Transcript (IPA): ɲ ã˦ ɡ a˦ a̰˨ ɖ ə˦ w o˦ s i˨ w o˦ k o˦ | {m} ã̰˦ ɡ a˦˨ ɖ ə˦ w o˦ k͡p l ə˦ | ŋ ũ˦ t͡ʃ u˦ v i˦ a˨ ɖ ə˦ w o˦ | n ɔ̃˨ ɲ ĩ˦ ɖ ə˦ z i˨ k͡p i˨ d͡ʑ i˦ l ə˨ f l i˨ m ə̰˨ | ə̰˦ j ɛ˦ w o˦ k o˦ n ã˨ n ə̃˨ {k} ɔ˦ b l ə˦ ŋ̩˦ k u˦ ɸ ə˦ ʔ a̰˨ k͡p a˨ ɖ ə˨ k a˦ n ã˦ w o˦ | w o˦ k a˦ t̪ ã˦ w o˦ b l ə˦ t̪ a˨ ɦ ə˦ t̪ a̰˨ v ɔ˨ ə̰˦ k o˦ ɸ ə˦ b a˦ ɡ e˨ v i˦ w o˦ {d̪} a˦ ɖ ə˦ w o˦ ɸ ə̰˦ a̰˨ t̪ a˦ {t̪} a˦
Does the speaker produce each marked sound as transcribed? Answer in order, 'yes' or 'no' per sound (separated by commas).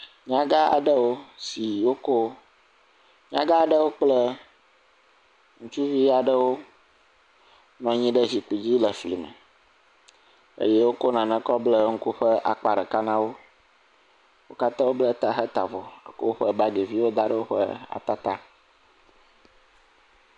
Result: no, yes, yes, yes